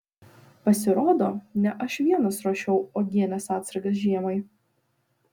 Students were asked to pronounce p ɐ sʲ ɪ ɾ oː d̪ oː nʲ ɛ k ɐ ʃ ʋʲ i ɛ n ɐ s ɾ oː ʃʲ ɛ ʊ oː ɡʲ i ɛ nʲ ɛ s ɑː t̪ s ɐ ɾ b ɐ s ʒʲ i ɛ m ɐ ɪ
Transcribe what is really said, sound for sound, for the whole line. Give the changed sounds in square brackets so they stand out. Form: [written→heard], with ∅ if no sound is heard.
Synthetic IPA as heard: p ɐ sʲ ɪ ɾ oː d̪ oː nʲ ɛ [k→ʔ] ɐ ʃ ʋʲ i ɛ n ɐ s ɾ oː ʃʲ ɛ ʊ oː ɡʲ i ɛ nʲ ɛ s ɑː t̪ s ɐ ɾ [b→ɡ] ɐ s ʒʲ i ɛ m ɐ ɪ